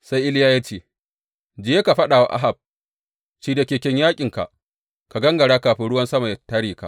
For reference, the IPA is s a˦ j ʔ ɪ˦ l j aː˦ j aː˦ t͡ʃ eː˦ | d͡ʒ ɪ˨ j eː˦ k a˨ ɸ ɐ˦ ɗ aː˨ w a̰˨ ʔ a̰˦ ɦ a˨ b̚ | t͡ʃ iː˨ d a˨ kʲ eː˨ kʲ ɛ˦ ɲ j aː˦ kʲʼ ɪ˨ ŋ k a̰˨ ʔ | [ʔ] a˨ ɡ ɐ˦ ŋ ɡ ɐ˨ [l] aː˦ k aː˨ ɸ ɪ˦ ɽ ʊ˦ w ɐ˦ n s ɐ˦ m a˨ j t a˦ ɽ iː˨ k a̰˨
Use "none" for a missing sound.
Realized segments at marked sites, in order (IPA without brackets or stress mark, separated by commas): k, ɽ